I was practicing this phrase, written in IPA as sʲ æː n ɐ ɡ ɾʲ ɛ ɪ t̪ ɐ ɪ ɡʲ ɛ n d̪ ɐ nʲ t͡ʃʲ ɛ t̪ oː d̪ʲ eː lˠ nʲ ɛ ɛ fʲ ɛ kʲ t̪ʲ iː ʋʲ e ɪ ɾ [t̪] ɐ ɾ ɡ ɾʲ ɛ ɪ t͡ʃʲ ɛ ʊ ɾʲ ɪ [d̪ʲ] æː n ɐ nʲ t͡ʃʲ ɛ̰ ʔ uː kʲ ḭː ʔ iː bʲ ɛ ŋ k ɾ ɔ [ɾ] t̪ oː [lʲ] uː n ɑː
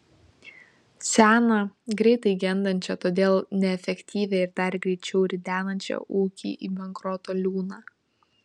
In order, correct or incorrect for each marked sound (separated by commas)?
incorrect, correct, incorrect, correct